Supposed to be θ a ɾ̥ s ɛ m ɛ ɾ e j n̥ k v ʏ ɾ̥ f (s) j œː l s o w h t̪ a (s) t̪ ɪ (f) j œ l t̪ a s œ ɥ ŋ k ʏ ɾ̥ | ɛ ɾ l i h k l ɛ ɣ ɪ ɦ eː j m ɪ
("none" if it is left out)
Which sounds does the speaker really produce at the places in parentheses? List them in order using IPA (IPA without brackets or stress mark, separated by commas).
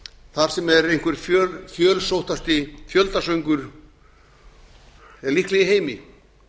f, s, f